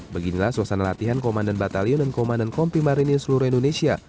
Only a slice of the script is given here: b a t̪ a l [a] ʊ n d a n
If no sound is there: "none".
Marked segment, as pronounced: i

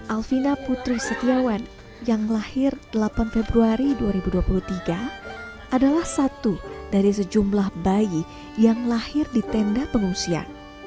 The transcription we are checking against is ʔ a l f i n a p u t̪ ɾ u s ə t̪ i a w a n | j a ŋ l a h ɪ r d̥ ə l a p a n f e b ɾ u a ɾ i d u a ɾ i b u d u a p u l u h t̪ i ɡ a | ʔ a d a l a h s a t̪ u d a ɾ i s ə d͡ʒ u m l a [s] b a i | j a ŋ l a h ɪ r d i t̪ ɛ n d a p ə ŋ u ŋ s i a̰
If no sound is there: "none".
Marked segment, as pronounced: h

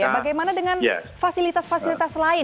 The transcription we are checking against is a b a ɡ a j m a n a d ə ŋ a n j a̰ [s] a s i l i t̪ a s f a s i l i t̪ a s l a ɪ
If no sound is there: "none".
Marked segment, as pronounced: f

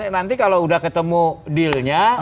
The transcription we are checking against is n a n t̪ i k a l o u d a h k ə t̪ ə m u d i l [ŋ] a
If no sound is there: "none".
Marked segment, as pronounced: ɲ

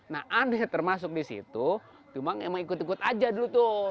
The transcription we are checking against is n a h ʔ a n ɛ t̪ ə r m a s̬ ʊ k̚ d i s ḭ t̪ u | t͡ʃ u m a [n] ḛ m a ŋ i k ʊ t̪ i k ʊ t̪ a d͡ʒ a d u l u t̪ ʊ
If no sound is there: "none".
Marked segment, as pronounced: ŋ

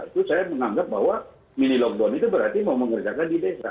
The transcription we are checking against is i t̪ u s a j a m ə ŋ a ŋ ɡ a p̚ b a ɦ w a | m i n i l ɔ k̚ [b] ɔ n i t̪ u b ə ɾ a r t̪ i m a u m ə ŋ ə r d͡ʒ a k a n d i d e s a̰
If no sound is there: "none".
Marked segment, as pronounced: d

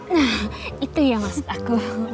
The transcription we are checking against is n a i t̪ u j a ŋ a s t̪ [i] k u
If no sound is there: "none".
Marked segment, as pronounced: a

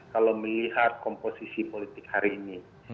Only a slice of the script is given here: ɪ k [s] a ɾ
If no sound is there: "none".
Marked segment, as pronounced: h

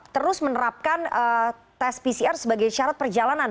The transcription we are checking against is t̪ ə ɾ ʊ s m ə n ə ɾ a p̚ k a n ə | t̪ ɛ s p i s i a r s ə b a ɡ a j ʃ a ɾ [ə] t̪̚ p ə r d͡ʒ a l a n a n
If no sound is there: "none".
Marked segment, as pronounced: a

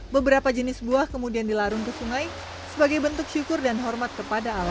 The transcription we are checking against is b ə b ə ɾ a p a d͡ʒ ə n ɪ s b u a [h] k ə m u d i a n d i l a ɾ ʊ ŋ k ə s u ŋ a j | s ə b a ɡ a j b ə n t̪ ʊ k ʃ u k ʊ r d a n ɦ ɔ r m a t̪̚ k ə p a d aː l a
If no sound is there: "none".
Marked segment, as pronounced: h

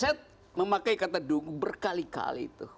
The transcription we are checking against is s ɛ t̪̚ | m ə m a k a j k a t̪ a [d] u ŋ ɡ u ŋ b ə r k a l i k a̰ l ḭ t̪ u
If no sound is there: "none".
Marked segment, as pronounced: d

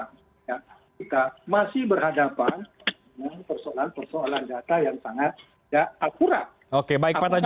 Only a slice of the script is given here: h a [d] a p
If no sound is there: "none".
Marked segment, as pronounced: d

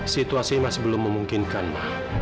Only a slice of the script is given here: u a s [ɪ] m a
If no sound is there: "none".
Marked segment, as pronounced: i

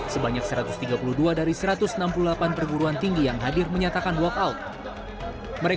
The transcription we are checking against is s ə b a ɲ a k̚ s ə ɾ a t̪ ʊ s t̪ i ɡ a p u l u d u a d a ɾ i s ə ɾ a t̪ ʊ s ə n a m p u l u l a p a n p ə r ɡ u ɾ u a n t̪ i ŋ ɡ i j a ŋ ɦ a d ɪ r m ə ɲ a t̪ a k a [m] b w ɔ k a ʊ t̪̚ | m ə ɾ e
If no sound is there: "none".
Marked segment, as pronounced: n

